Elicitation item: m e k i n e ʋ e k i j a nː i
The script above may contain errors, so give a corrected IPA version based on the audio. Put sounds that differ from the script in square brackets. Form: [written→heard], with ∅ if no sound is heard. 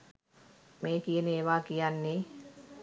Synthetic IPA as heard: m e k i n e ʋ [e→a] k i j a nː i